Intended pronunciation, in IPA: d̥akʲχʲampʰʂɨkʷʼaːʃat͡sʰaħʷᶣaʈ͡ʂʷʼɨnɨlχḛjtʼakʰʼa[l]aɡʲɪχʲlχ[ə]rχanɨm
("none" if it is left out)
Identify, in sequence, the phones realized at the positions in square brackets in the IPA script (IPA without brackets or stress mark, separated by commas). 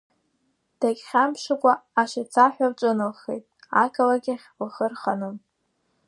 l, ə